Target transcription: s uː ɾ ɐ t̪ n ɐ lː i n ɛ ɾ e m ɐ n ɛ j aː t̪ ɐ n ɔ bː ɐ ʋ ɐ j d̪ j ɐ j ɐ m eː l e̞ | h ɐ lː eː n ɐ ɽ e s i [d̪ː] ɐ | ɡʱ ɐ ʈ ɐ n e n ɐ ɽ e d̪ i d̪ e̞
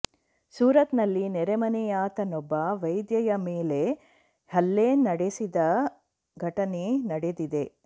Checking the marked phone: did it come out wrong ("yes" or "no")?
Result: yes